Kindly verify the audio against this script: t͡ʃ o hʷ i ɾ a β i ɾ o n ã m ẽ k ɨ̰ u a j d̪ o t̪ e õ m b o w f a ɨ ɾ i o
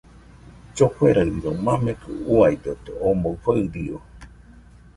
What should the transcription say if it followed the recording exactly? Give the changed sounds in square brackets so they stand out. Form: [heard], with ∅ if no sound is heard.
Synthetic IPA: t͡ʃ o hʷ [e] ɾ a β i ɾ o [m] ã m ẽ k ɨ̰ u a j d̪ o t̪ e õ m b o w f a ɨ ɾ i o